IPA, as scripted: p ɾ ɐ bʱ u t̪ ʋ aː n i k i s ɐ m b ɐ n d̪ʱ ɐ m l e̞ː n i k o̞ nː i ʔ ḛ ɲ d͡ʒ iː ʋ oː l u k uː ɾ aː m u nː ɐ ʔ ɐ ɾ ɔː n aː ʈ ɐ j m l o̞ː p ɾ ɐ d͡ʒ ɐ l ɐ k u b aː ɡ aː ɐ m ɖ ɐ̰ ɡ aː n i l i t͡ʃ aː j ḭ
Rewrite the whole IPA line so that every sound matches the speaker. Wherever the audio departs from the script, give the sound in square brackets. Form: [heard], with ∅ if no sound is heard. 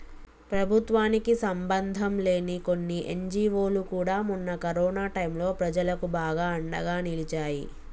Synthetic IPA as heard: p ɾ ɐ bʱ u t̪ ʋ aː n i k i s ɐ m b ɐ n d̪ʱ ɐ m l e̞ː n i k o̞ nː i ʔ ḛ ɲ d͡ʒ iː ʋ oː l u k uː [ɽ] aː m u nː ɐ [k] ɐ ɾ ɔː n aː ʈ ɐ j m l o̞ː p ɾ ɐ d͡ʒ ɐ l ɐ k u b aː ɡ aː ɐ [ɳ] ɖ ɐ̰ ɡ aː n i l i t͡ʃ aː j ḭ